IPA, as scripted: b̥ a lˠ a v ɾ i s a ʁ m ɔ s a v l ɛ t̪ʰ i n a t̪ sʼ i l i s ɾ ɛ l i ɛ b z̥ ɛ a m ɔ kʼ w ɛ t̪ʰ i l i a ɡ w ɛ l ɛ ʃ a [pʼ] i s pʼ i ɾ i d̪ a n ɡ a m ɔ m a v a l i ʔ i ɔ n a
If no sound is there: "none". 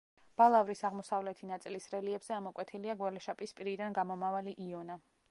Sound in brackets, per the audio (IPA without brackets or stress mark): pʼ